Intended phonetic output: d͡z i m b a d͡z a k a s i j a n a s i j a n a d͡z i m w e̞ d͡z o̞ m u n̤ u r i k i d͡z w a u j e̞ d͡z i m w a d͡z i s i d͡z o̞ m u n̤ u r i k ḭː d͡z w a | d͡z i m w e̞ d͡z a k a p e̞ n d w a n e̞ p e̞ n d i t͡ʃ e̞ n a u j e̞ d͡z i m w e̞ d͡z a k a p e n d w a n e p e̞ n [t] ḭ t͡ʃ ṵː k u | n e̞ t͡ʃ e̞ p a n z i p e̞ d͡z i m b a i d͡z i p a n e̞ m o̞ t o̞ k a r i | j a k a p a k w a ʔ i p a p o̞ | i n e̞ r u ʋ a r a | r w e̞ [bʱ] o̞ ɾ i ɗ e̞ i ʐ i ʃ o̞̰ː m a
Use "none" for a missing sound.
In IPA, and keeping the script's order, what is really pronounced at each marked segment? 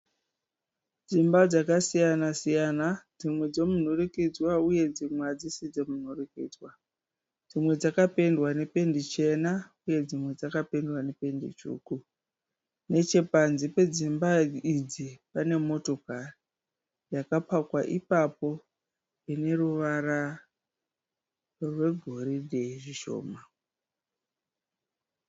d, ɡʱ

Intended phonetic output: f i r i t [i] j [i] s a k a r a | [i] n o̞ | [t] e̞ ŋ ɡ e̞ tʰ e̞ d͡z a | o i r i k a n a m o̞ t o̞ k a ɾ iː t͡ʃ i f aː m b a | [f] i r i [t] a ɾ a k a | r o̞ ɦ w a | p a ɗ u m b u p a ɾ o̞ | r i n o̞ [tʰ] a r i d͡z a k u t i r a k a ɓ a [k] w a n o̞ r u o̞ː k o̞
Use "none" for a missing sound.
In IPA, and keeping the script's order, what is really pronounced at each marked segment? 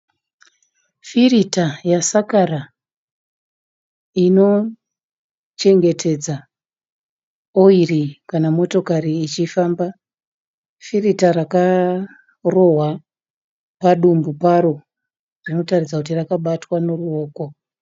a, a, i, t͡ʃ, f, t, t, t

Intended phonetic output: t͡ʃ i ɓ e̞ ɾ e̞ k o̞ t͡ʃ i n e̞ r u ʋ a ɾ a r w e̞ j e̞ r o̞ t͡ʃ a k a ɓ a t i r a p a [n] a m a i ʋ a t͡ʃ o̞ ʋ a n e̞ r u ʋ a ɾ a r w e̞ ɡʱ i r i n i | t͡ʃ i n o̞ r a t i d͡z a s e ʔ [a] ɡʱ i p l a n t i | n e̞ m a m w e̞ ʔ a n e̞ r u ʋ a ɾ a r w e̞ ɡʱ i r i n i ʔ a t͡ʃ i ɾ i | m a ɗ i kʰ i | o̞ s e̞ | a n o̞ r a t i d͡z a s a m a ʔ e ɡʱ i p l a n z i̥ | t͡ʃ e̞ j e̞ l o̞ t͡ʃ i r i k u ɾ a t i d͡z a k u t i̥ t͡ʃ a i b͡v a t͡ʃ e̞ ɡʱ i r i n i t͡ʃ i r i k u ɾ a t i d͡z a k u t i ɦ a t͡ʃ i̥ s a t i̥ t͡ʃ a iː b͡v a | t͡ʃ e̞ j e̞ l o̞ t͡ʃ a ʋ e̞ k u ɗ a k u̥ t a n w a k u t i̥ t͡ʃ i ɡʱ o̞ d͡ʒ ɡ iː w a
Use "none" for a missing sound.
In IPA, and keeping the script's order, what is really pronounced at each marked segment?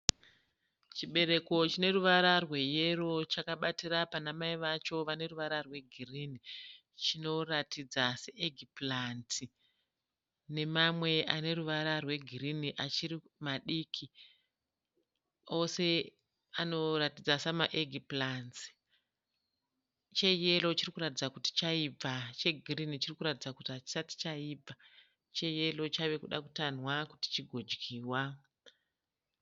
n, e

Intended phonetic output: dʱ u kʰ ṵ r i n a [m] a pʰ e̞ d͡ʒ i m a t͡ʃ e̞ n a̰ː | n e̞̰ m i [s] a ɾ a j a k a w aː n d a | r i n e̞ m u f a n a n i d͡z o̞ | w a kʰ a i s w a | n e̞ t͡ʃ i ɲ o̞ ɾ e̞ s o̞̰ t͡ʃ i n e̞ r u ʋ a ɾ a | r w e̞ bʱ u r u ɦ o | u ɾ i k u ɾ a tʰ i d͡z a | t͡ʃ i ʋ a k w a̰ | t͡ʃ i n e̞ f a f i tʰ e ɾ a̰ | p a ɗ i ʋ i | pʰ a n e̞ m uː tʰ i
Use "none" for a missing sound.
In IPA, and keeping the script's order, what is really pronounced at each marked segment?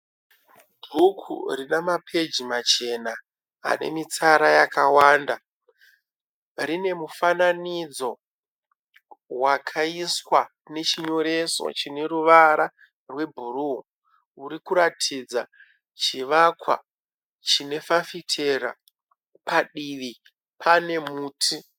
m, t͡s

